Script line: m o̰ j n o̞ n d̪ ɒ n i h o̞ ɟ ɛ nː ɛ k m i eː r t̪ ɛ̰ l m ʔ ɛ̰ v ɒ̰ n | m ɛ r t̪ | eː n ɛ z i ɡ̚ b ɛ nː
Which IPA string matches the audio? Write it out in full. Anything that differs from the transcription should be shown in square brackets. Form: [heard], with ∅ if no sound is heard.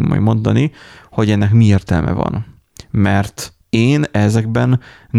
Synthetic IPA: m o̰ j [m] o̞ n d̪ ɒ n i h o̞ ɟ ɛ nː ɛ k m i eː r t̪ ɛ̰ l m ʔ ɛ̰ v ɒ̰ n | m ɛ r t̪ | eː n ɛ z [ɛ] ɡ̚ b ɛ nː